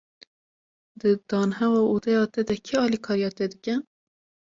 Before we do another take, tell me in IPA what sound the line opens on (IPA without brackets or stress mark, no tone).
d̪